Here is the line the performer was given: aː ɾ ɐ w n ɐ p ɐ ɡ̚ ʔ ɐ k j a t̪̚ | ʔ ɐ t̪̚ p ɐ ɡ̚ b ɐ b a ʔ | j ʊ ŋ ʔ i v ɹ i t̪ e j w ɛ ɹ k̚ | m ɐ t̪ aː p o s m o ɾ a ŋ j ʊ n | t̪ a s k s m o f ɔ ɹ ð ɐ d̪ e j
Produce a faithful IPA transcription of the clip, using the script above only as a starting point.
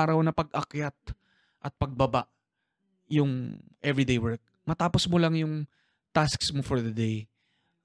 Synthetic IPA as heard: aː ɾ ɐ w n ɐ p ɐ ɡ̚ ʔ ɐ k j a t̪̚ | ʔ ɐ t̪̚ p ɐ ɡ̚ b ɐ b a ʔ | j ʊ ŋ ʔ ɛ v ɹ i d̪ e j w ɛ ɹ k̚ | m ɐ t̪ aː p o s m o l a ŋ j ʊ ŋ | t̪ a s k s m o f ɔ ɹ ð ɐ d̪ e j